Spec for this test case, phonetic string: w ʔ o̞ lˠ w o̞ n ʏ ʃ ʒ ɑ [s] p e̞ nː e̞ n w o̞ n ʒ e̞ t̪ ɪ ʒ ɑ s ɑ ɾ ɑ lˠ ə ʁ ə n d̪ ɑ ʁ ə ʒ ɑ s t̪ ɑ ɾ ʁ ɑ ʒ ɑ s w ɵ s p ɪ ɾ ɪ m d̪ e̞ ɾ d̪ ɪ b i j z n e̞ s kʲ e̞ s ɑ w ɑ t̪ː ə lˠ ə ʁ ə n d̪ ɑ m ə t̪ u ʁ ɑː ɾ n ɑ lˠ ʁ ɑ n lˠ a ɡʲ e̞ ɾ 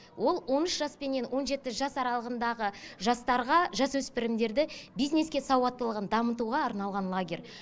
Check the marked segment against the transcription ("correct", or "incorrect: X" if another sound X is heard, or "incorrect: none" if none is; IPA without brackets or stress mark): correct